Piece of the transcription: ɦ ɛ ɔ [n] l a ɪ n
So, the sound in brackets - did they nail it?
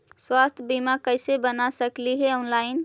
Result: yes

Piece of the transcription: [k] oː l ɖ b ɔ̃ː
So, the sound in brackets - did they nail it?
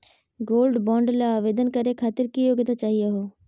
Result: no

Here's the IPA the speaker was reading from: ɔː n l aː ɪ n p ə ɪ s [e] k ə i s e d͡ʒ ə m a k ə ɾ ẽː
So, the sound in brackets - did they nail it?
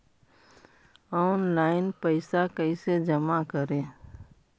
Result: no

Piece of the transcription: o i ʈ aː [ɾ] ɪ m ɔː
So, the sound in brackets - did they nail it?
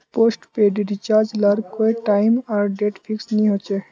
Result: no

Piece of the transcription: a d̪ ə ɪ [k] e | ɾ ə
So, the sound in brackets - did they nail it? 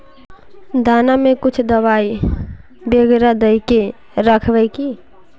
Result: yes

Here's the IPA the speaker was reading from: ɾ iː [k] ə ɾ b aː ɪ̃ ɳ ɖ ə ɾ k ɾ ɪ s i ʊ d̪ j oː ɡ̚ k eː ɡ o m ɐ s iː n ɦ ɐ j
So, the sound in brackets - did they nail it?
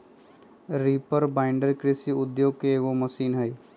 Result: no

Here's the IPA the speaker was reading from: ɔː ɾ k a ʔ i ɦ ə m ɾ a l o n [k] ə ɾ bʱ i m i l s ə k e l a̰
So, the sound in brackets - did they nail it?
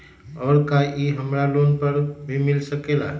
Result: no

